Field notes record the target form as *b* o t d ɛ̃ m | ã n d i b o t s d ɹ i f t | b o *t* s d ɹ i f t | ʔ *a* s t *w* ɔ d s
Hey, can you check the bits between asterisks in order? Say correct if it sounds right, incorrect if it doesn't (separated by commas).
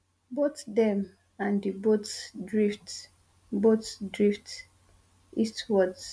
correct, correct, incorrect, correct